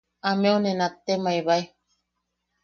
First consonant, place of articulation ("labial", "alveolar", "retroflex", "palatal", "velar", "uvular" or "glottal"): labial